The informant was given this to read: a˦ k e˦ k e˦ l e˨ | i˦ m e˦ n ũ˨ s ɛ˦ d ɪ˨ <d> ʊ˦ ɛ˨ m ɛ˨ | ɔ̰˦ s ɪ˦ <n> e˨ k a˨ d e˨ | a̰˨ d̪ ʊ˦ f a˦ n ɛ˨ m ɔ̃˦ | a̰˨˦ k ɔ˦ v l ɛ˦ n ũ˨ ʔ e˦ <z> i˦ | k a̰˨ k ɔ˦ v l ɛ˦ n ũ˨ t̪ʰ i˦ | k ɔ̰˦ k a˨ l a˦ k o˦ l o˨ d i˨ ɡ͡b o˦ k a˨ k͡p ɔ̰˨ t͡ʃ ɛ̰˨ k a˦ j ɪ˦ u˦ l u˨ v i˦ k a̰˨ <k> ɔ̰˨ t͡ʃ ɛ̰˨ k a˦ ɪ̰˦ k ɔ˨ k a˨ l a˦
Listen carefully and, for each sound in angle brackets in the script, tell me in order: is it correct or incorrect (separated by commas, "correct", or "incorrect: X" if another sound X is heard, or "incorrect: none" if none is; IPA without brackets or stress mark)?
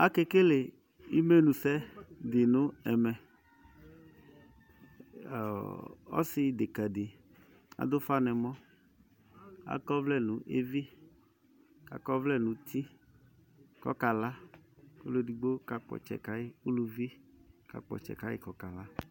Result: incorrect: n, incorrect: d, incorrect: v, incorrect: k͡p